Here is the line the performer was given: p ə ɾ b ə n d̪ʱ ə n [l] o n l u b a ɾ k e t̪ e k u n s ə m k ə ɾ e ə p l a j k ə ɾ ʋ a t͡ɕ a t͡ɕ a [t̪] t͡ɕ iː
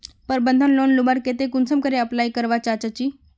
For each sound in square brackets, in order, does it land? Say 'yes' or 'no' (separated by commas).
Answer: yes, no